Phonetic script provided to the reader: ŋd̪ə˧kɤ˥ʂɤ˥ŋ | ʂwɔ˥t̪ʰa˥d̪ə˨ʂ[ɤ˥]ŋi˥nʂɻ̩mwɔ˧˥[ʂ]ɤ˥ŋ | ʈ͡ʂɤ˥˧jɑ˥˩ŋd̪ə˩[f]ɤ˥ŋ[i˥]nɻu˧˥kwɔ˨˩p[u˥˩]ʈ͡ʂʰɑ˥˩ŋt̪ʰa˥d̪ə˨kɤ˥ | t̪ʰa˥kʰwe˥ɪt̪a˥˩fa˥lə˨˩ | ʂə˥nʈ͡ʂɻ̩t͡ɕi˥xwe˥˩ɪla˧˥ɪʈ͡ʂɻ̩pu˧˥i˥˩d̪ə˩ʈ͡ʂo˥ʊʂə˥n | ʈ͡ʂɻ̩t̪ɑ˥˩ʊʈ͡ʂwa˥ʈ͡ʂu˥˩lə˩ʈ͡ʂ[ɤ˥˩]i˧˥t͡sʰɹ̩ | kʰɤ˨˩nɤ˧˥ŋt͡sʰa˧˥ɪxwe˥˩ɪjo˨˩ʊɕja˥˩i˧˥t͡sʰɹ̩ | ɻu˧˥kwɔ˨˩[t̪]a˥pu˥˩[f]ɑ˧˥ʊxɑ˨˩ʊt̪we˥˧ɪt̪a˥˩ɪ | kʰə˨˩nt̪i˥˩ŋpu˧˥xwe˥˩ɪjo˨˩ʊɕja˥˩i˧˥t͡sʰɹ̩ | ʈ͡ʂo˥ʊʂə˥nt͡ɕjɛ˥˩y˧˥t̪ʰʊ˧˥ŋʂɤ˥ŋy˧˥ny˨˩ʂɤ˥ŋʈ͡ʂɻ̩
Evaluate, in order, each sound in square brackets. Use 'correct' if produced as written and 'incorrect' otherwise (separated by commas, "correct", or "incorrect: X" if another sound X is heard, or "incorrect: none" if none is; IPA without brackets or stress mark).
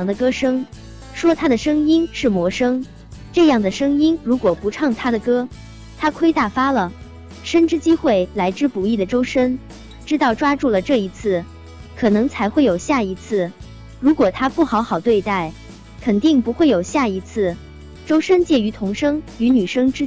correct, correct, incorrect: ʂ, correct, incorrect: u˧˥, correct, incorrect: t̪ʰ, incorrect: x